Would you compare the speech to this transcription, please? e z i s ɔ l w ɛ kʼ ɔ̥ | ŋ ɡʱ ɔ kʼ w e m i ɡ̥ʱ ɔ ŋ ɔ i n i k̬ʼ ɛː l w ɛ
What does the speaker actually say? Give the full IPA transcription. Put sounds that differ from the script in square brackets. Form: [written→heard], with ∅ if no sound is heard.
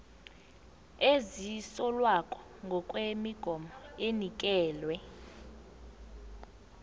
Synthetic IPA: e z i s ɔ l w [ɛ→a] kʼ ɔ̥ | ŋ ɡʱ ɔ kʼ w e m i ɡ̥ʱ ɔ [ŋ→m] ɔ [i→e] n i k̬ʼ ɛː l w ɛ